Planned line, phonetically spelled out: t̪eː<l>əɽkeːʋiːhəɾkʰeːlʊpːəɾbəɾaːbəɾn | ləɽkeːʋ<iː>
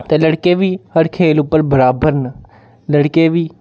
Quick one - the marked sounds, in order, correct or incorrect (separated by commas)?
correct, correct